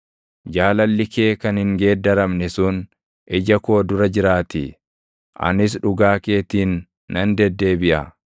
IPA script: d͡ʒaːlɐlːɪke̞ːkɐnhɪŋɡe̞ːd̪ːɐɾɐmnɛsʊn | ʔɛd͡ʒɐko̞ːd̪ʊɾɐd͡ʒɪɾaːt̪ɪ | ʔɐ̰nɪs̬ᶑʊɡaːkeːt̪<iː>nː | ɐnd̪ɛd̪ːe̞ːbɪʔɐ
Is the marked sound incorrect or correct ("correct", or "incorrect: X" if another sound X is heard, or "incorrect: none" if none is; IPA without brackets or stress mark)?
correct